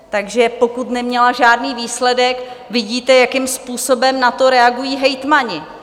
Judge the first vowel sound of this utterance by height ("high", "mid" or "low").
low